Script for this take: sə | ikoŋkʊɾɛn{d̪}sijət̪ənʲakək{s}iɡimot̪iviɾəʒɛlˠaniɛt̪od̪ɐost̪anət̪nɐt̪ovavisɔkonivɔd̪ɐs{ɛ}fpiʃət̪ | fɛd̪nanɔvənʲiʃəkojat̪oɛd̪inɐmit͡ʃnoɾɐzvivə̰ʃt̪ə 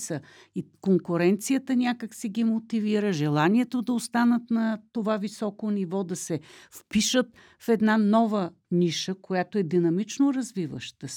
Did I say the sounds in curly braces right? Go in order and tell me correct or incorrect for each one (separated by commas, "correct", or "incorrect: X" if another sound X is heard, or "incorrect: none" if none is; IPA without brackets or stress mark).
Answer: incorrect: t̪, correct, correct